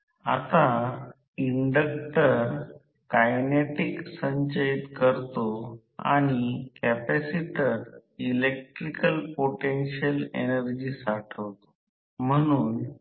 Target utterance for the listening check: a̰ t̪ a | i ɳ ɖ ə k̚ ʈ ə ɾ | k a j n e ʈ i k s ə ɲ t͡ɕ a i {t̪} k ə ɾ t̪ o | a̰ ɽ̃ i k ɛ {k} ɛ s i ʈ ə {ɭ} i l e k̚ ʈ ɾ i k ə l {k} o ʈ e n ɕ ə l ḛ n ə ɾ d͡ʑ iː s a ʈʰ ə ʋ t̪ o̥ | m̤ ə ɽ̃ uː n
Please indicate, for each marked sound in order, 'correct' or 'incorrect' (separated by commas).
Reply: correct, incorrect, incorrect, incorrect